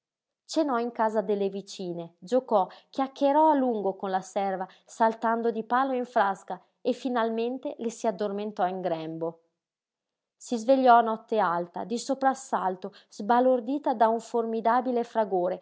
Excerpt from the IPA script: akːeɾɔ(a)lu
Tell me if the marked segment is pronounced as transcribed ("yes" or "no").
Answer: yes